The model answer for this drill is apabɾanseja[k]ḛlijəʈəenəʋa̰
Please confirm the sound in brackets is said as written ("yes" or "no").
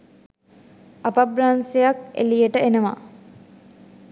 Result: yes